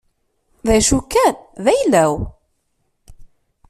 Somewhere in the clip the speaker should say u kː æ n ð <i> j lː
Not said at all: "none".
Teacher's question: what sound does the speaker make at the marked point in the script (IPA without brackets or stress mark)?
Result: æ